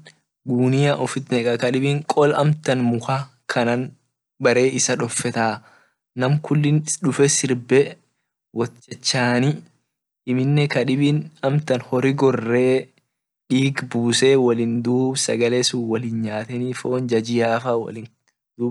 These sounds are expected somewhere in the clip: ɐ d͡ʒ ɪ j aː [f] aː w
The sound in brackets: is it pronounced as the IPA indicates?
yes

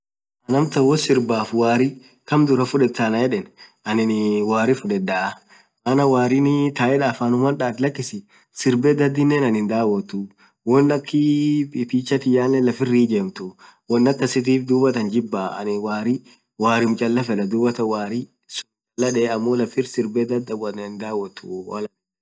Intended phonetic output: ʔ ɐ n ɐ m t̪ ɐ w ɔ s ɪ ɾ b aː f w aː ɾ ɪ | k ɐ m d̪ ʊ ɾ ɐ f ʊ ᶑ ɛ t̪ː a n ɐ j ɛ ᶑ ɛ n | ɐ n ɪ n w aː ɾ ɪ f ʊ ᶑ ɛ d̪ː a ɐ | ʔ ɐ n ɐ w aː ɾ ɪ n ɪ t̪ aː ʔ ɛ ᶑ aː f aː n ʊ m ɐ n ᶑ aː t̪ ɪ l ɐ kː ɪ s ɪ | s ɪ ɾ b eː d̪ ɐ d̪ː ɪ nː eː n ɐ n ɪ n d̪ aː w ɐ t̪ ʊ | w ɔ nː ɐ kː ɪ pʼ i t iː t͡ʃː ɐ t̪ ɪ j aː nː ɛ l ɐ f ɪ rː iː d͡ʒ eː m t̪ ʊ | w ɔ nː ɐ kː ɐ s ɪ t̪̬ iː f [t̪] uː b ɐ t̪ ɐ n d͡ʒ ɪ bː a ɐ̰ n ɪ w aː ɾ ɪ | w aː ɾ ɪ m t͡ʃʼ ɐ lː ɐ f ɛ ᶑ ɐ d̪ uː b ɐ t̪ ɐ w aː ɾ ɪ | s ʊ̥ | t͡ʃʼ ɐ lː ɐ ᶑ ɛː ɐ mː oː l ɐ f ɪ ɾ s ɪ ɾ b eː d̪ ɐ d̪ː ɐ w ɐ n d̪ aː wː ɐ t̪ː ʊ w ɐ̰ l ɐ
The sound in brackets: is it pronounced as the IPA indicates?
no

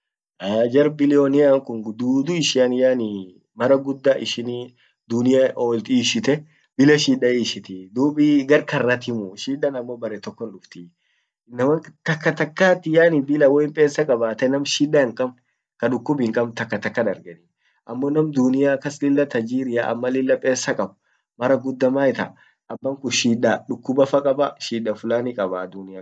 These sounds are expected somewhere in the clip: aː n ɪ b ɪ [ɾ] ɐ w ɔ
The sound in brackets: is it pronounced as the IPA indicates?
no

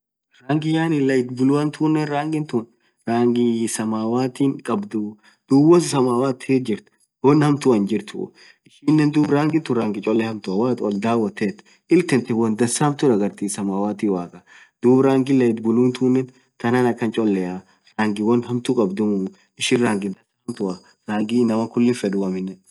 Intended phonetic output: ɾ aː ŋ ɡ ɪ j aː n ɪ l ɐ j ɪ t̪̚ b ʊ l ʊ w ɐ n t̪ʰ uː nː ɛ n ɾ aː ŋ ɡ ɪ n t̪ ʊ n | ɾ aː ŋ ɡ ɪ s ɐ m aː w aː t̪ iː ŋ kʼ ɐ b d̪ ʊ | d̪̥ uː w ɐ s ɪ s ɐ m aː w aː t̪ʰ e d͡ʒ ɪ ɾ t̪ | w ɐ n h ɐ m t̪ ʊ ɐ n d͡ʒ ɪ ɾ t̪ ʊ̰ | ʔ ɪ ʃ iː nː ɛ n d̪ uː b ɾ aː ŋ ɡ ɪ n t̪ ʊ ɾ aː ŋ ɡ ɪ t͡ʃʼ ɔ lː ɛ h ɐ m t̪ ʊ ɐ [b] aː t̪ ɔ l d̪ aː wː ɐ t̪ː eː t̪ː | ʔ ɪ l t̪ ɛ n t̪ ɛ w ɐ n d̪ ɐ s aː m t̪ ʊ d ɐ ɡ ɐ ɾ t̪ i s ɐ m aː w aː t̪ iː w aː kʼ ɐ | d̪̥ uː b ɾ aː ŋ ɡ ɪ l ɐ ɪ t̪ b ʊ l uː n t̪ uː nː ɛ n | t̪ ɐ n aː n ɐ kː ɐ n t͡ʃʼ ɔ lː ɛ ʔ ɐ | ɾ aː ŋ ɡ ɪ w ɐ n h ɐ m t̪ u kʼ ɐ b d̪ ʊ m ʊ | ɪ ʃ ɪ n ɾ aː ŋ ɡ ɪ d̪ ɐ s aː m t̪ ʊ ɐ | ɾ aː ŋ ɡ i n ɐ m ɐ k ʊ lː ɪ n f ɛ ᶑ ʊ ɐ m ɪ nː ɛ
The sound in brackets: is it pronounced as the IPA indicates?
no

